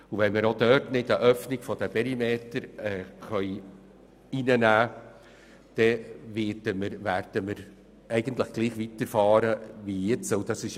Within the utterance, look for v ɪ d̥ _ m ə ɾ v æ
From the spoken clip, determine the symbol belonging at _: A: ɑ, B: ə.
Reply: B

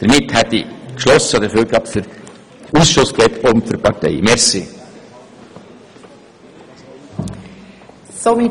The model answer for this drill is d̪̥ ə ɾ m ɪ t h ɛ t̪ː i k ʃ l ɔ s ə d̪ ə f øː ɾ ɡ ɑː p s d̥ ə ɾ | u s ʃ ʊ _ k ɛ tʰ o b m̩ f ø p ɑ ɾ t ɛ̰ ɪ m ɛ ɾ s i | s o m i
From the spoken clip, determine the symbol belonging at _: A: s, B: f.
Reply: A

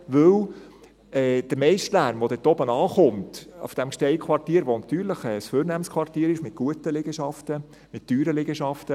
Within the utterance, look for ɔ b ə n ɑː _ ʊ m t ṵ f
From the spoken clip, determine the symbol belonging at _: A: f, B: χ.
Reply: B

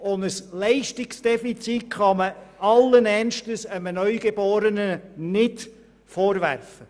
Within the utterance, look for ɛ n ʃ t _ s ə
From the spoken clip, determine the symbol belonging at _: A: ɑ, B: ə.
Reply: B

